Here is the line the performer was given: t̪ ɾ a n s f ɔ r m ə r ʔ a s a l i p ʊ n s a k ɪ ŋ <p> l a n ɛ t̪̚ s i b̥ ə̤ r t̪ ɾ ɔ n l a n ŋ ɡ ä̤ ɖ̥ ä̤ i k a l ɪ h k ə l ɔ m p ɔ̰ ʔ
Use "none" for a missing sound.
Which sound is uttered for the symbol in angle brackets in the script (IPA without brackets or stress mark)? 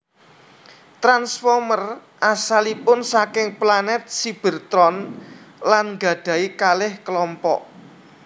p